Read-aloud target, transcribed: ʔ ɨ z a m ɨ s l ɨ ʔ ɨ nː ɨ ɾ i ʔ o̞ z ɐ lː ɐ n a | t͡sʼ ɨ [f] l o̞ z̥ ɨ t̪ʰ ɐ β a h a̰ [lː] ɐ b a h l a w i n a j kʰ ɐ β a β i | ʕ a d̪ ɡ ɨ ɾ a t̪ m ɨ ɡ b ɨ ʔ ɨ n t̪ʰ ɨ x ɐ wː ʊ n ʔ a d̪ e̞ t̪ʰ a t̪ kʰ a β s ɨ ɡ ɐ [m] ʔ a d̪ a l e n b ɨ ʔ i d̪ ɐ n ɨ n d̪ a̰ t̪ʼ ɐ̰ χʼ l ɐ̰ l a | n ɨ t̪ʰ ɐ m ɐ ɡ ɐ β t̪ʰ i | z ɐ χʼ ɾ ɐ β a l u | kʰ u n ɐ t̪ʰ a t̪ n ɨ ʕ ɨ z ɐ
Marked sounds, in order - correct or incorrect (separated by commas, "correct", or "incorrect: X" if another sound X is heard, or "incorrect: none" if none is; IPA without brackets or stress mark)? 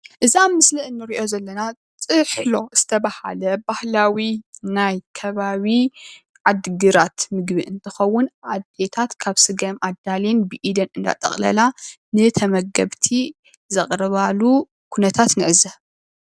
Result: incorrect: ħ, incorrect: l, correct